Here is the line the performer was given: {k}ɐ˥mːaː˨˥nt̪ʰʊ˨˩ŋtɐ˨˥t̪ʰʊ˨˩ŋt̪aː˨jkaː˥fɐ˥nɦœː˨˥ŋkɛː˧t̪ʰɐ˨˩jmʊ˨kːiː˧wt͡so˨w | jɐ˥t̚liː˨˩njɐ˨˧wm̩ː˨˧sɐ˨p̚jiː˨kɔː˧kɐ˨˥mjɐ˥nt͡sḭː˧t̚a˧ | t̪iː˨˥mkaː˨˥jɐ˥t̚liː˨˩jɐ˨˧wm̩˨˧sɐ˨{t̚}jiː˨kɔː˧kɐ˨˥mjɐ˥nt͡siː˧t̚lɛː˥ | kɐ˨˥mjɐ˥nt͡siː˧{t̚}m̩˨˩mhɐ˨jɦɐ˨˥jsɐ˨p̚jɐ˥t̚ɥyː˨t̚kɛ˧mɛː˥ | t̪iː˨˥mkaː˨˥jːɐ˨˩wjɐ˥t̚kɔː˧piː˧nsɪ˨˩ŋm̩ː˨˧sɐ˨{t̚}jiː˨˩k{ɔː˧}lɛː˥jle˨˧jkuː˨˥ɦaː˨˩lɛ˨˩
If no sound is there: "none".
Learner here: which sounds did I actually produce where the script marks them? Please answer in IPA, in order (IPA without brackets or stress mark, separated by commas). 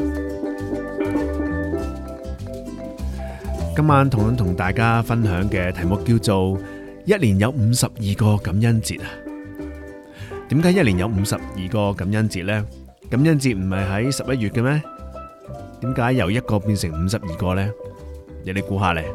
k, p̚, t̚, p̚, ɔː˧